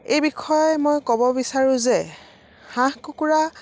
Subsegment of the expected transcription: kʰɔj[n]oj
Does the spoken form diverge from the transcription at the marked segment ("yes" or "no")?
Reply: yes